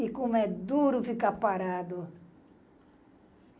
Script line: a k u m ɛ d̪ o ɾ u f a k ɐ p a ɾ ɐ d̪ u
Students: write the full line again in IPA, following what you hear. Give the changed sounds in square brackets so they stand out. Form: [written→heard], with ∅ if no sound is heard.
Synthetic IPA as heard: [a→i] k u m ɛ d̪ [o→u] ɾ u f [a→i] k [ɐ→a] p a ɾ [ɐ→a] d̪ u